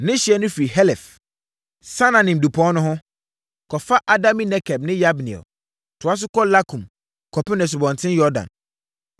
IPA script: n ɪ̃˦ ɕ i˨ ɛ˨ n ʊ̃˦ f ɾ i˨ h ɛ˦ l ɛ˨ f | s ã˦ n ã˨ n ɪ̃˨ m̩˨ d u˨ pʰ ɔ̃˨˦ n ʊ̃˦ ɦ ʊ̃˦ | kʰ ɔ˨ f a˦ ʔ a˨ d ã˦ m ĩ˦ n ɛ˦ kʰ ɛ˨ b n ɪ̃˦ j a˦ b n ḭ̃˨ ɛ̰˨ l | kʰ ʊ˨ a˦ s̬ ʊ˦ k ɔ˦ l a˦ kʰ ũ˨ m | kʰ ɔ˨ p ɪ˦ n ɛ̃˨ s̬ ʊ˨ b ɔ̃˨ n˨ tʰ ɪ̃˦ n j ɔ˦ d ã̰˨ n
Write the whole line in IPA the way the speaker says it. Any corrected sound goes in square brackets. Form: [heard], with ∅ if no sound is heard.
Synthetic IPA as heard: n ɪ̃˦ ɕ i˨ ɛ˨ n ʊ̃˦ f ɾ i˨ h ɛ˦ l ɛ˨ f | s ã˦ n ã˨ n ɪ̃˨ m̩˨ d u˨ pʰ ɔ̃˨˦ n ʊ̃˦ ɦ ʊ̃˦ | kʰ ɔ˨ f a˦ ʔ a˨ d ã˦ m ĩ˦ n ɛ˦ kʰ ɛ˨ b n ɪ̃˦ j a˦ b n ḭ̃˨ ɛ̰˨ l | [tʰ] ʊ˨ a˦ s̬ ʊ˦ k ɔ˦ l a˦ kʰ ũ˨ m | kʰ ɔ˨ p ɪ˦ n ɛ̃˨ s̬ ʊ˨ b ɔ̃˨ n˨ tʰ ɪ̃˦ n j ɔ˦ d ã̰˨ n